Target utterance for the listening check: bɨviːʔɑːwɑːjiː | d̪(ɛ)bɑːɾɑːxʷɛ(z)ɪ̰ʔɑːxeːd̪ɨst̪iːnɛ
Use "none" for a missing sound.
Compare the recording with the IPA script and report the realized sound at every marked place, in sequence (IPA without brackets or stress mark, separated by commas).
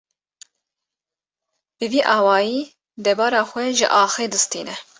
ɛ, ʒ